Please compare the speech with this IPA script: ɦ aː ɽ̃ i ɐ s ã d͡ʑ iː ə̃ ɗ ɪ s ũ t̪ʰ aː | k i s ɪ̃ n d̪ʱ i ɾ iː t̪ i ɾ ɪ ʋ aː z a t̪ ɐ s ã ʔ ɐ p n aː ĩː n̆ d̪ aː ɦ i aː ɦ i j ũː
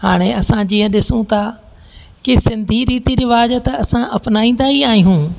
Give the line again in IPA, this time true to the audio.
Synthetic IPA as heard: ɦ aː ɽ̃ e ɐ s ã d͡ʑ iː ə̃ ɗ ɪ s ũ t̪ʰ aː | k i s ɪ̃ n d̪ʱ i ɾ iː t̪ i ɾ ɪ ʋ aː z ə t̪ ɐ s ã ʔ ɐ p n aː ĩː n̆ d̪ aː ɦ i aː ɦ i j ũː